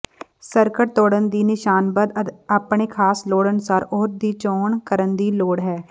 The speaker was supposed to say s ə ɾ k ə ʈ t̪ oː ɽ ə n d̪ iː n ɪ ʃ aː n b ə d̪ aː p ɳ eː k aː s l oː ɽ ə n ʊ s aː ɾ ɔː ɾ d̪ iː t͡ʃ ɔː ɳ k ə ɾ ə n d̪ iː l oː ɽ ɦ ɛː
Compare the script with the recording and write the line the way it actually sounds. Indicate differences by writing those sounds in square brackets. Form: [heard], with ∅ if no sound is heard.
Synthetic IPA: s ə ɾ k ə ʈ t̪ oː ɽ ə n d̪ iː n ɪ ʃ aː n b ə d̪ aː p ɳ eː [kʰ] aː s l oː ɽ ə n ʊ s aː ɾ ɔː ɾ d̪ iː t͡ʃ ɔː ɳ k ə ɾ ə n d̪ iː l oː ɽ ɦ ɛː